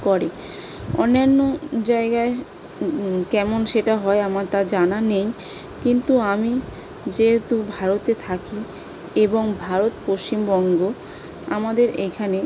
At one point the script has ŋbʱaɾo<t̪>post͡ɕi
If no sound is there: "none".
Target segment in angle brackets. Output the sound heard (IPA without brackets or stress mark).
t̪